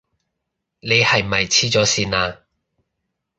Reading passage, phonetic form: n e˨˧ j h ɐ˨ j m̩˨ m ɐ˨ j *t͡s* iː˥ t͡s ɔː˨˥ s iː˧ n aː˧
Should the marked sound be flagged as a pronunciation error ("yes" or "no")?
yes